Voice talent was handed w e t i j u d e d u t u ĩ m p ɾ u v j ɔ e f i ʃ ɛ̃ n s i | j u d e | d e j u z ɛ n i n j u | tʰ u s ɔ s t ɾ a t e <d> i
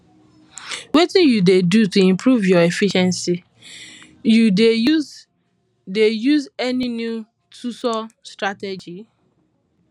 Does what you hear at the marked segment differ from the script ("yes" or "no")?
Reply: yes